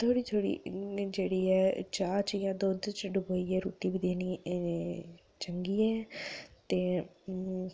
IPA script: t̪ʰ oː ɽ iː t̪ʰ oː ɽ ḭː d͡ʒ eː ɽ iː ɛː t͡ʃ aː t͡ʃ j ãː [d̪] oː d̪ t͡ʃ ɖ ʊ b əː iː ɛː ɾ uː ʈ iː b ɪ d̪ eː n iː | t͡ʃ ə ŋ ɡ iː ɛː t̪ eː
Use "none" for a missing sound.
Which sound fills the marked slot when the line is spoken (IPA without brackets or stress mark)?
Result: d̪